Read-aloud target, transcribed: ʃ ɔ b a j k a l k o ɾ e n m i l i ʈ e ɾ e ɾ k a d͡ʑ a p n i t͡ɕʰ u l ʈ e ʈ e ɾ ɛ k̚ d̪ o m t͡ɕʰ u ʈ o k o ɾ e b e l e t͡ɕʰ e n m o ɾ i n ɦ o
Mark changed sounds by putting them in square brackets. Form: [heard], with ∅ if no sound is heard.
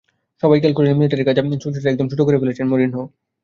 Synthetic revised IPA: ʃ ɔ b a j k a l k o ɾ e n m i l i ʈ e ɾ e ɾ k a d͡ʑ a p n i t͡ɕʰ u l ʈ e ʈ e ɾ ɛ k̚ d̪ o m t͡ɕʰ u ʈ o k o ɾ e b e l e t͡ɕʰ e n m o ɾ i n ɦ o